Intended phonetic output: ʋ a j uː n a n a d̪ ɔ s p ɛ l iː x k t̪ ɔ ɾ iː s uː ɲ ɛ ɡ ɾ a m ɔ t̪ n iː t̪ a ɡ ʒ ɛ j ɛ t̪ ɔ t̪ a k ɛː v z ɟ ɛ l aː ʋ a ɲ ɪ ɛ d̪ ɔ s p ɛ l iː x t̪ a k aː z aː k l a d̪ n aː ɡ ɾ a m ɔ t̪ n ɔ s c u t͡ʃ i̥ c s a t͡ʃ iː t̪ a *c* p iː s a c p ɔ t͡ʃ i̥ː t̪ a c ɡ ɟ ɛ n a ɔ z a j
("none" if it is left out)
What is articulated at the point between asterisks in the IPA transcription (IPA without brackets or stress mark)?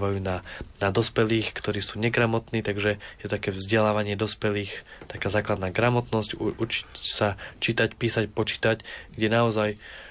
c